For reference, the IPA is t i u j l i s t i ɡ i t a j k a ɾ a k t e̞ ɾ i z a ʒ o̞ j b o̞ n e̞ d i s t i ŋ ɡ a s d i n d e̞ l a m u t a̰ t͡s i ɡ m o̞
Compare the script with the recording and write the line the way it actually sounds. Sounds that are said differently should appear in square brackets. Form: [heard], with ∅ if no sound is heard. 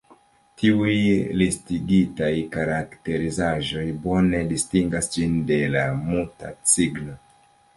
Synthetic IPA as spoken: t i u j l i s t i ɡ i t a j k a ɾ a k t e̞ ɾ i z a ʒ o̞ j b o̞ n e̞ d i s t i ŋ ɡ a s [d͡ʒ] i n d e̞ l a m u t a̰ t͡s i ɡ [n] o̞